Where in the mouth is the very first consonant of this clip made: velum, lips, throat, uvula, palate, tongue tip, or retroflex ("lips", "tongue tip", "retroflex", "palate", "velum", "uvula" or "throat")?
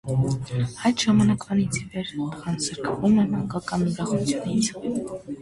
throat